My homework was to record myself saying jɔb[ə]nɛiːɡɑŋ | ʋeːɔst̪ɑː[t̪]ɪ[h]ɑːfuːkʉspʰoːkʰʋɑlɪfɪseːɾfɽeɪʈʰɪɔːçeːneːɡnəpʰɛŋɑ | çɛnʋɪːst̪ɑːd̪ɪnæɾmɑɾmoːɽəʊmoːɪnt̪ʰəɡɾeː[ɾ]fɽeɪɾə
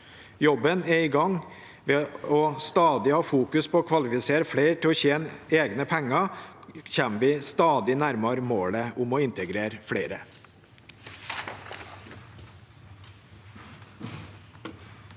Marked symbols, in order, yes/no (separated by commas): yes, no, yes, yes